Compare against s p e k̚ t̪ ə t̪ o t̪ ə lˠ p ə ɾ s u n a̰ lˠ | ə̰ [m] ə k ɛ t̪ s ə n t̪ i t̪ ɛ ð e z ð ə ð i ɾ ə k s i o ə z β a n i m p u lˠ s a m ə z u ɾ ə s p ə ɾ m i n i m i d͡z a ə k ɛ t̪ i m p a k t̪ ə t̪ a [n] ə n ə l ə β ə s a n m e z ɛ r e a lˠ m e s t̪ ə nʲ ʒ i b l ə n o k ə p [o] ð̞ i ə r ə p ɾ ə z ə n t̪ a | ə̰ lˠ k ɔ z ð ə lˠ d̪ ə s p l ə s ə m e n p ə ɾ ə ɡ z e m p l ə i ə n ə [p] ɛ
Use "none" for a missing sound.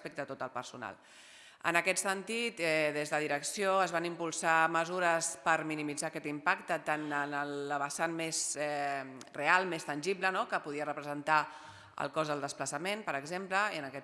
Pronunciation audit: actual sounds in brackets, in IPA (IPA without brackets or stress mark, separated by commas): n, n, u, k